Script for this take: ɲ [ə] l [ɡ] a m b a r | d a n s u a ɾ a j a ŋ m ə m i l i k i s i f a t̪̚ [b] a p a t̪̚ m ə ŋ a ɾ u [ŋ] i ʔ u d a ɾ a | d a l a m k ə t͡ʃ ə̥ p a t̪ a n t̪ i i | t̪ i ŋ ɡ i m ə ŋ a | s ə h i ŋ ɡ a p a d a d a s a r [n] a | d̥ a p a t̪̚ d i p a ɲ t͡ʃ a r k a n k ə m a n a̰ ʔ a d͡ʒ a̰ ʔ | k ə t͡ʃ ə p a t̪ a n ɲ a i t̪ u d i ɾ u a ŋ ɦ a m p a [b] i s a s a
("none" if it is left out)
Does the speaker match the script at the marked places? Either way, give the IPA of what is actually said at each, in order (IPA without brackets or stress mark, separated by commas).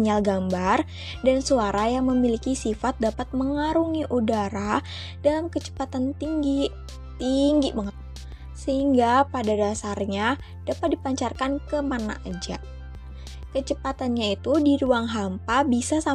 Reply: a, ɡ, d, ŋ, ɲ, b